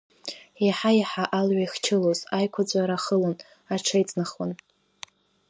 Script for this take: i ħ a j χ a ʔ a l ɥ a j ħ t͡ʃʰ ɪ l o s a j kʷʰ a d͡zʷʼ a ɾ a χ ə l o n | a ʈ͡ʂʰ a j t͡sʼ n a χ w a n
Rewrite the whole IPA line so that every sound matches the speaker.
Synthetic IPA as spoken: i ħ a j ħ a ʔ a l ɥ a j χ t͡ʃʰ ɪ l o z a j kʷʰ a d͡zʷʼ a ɾ a χ ə l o n | a ʈ͡ʂʰ a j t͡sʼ n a χ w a n